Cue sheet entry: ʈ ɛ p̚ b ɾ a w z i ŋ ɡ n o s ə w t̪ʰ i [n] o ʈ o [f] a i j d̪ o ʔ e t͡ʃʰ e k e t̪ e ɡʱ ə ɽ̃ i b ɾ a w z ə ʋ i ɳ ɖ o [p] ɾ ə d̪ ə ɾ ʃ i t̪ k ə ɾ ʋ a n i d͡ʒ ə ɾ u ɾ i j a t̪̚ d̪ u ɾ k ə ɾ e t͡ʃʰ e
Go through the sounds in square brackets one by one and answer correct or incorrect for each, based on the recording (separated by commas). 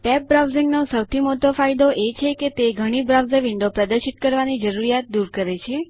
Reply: incorrect, correct, correct